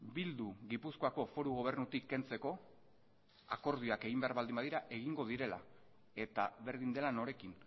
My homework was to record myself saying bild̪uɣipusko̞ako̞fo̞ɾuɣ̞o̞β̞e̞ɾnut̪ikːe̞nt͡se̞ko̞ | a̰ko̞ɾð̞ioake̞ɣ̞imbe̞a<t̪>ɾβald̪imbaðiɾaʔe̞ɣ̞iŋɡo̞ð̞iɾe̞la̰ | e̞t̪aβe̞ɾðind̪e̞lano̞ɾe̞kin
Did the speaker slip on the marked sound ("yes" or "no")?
yes